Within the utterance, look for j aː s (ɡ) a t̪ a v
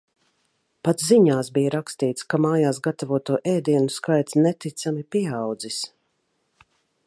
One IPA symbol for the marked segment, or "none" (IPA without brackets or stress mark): ɡ